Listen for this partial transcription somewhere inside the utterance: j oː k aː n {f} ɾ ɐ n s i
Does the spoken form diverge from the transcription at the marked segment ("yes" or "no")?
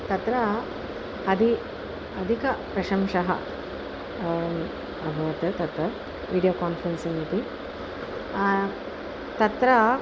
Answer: no